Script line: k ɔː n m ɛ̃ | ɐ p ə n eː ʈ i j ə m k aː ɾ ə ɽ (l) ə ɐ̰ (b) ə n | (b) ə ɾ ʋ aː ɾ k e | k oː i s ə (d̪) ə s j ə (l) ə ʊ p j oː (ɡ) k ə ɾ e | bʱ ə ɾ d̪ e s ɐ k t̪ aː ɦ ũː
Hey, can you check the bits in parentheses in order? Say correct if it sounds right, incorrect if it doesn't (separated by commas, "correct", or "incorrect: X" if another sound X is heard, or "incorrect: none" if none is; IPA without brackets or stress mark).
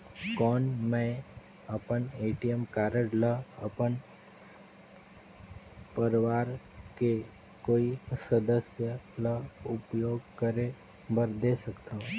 correct, incorrect: p, incorrect: p, correct, correct, correct